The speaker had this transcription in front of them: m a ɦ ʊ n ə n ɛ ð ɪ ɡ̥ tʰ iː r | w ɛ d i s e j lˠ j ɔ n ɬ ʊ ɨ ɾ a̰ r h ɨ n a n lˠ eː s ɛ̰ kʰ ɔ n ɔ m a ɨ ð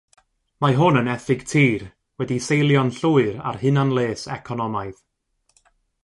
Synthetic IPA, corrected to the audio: m a ɦ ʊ n ə n ɛ θ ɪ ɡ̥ tʰ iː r | w ɛ d i s e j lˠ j ɔ n ɬ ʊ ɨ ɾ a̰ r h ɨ n a n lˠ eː s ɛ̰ kʰ ɔ n ɔ m a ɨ ð